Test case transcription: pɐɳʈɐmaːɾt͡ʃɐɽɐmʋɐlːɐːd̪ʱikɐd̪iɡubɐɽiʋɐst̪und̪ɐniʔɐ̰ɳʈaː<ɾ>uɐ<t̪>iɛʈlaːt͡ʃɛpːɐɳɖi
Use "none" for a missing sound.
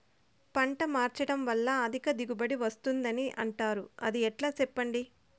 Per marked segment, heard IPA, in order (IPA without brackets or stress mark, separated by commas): ɾ, d̪